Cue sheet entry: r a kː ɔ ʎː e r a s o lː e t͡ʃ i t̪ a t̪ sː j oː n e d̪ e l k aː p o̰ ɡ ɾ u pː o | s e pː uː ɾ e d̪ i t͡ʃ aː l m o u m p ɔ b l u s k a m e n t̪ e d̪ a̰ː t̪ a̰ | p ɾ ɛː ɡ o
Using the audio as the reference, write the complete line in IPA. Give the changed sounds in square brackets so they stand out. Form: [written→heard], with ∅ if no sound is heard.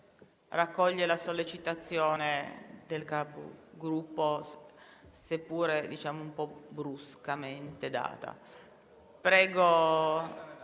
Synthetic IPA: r a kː ɔ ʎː e [r→l] a s o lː e t͡ʃ i t̪ a t̪ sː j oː n e d̪ e l k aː p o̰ ɡ ɾ u pː o | s e pː uː ɾ e d̪ i t͡ʃ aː [l→∅] m o u m p ɔ b [l→ɾ] u s k a m e n t̪ e d̪ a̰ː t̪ a̰ | p ɾ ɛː ɡ o